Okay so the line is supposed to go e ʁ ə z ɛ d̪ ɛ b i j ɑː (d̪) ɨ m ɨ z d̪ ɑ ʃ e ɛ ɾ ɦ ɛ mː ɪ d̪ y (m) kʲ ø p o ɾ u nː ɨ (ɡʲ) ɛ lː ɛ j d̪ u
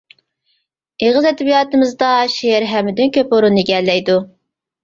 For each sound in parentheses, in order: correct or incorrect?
incorrect: t̪, incorrect: n, correct

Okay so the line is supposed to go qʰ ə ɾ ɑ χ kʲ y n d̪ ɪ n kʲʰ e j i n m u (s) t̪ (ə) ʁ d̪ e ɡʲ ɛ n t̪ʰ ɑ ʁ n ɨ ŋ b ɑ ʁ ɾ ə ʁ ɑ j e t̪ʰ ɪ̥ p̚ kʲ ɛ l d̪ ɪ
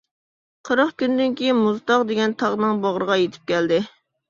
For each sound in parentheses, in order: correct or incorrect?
incorrect: z, incorrect: ɑ

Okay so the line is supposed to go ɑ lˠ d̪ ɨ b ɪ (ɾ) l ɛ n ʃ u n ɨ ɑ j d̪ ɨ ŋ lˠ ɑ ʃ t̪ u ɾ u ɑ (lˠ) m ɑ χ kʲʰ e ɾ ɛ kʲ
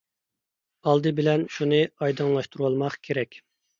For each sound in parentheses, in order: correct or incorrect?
incorrect: none, correct

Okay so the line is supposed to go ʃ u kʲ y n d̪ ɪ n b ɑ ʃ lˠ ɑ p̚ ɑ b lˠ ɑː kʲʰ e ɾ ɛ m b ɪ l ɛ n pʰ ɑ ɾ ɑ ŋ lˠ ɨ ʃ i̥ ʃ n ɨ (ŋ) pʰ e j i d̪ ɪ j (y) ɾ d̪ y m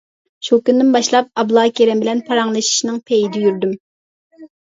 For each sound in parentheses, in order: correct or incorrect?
correct, correct

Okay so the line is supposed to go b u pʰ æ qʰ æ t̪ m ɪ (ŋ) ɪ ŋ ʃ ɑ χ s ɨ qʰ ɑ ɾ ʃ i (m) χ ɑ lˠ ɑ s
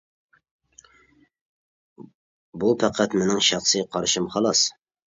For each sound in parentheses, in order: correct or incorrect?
incorrect: n, correct

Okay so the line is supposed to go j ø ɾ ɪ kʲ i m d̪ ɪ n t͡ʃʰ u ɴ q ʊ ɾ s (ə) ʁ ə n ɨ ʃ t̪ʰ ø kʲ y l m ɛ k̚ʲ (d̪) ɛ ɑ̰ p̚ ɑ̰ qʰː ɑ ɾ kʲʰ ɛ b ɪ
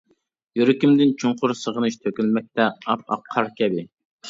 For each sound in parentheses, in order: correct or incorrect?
correct, incorrect: t̪

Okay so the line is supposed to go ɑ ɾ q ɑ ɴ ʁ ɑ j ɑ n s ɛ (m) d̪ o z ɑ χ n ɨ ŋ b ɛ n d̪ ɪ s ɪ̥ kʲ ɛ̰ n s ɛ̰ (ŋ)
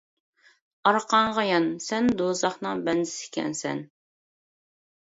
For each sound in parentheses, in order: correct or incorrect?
incorrect: n, incorrect: n

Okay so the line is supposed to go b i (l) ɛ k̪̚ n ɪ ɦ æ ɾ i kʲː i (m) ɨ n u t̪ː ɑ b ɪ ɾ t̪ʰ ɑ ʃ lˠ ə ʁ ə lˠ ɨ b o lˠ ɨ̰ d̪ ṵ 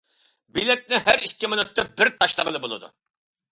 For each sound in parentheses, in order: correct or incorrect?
correct, correct

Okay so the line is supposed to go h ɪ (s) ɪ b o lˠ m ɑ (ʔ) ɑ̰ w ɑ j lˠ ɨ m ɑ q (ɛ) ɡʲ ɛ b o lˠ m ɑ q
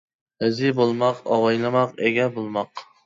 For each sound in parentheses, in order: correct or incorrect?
incorrect: z, incorrect: q, incorrect: e

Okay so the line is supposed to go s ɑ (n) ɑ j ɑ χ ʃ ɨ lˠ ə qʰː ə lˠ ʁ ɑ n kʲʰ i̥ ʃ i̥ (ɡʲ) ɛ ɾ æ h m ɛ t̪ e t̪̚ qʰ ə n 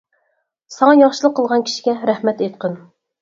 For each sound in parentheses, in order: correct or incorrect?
incorrect: ŋ, correct

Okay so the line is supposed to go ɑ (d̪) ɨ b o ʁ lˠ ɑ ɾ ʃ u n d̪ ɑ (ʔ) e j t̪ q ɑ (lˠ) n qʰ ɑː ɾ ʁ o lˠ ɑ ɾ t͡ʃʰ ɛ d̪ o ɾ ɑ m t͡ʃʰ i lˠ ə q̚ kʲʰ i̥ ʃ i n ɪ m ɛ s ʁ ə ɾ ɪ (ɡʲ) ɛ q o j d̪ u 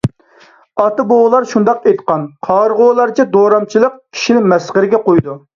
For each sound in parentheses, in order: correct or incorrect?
incorrect: t̪, incorrect: q, incorrect: none, correct

